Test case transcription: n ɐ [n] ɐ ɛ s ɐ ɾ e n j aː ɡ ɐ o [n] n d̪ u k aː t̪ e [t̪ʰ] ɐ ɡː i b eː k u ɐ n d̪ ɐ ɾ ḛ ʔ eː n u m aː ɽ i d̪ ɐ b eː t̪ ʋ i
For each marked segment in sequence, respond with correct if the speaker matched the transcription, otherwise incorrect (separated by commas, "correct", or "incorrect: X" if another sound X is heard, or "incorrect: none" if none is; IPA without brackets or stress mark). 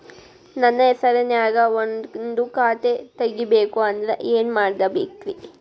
incorrect: nː, correct, incorrect: t̪